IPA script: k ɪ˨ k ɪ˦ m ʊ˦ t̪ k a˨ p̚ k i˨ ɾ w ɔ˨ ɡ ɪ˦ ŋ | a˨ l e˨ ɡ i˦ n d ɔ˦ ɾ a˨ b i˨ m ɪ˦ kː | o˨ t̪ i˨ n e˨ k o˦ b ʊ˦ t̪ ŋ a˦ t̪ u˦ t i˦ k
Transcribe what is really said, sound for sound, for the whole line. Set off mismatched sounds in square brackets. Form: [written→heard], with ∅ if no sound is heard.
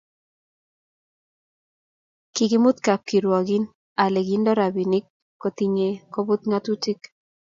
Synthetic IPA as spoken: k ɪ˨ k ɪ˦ m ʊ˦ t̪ k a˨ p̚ k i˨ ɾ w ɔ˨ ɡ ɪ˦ [ŋ→n] | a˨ l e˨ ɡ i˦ n d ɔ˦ ɾ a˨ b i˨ [m→n] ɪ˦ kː | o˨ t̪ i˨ [n→ɲ] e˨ k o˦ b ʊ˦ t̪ ŋ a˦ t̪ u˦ t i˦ k